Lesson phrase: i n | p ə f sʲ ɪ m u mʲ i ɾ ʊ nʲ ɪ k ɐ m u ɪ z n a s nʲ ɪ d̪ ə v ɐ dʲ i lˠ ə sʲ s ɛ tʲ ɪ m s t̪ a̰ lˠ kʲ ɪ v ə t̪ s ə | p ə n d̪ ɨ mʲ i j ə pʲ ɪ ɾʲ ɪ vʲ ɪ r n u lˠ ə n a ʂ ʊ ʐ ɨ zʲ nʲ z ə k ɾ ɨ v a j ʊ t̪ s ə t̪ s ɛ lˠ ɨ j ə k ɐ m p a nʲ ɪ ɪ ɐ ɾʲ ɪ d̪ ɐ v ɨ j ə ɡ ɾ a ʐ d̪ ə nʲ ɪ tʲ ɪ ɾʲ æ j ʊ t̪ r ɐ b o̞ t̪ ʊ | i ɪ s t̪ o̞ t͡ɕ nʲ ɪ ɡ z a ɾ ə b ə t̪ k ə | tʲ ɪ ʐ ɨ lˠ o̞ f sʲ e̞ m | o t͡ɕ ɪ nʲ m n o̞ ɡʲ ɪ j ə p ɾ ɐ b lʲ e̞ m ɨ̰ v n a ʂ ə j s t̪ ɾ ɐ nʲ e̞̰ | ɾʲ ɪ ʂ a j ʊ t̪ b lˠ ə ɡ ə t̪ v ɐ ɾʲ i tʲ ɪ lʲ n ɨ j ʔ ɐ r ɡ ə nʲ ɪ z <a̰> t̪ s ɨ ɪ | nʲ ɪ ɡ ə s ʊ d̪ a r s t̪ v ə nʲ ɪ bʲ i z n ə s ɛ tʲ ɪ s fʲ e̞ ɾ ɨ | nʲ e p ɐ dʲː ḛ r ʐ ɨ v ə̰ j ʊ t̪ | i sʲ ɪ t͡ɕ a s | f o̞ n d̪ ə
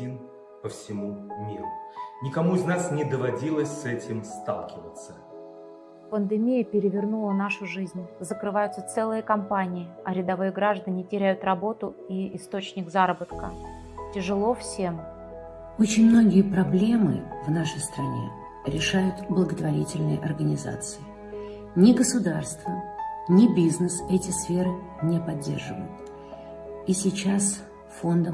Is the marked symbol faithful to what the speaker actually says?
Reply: yes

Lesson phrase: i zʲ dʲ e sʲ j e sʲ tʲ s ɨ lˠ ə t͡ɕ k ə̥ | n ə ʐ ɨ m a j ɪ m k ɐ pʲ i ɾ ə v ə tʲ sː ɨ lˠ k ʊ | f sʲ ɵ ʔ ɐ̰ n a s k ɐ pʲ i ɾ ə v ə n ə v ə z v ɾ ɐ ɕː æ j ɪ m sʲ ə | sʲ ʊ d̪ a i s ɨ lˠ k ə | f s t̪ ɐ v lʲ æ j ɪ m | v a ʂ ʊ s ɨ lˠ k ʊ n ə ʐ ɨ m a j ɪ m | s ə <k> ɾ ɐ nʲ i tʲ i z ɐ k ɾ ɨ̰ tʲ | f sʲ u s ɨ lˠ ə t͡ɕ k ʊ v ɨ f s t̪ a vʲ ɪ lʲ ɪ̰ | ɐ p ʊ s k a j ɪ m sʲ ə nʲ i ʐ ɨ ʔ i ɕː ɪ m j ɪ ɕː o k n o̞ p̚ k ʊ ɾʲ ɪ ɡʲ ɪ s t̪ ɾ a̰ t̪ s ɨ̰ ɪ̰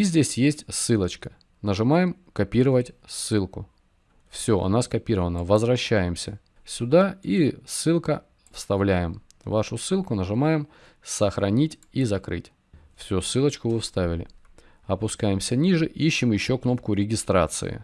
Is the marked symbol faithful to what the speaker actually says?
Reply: no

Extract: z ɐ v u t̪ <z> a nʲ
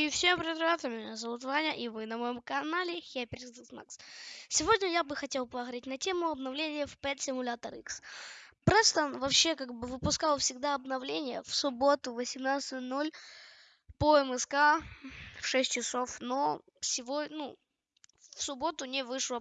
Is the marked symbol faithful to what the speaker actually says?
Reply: no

